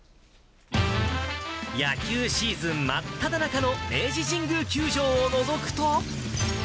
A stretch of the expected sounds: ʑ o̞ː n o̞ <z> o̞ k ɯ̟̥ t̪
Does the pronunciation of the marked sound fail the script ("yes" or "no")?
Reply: no